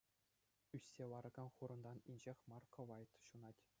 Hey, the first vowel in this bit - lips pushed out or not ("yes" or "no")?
yes